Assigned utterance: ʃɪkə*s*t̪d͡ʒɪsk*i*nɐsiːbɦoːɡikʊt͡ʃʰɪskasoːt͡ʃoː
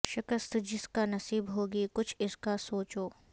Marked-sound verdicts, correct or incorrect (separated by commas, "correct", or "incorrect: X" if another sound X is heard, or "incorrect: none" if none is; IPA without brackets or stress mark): correct, incorrect: a